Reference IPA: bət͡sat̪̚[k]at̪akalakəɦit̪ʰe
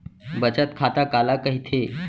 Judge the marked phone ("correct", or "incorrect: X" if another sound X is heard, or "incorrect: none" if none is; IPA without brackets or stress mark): incorrect: kʰ